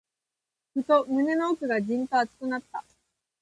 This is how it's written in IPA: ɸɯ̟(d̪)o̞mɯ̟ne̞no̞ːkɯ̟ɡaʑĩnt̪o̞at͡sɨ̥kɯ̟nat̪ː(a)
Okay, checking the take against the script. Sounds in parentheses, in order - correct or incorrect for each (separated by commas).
incorrect, correct